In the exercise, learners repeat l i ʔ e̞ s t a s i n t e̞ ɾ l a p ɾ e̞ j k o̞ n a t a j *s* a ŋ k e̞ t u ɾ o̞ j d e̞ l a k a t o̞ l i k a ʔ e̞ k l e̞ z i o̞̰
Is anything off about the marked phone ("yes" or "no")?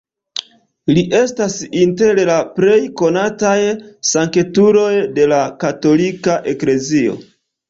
no